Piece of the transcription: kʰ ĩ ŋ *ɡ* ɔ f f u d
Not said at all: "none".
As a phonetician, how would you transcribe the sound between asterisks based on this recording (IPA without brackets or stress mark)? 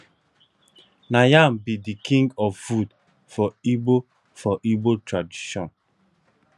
ɡ